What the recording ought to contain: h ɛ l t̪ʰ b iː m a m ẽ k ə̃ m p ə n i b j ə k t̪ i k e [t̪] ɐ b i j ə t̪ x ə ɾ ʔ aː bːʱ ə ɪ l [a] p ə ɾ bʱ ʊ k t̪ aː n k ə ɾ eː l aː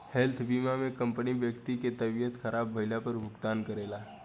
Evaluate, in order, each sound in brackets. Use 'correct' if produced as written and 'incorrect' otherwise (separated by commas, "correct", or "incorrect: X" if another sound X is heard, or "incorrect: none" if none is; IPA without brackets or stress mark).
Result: correct, correct